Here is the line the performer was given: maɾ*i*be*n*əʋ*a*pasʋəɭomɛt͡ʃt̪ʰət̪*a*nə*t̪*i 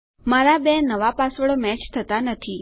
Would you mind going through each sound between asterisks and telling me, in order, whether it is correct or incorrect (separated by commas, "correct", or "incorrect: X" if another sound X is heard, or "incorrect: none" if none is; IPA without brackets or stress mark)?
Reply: incorrect: a, correct, correct, correct, incorrect: t̪ʰ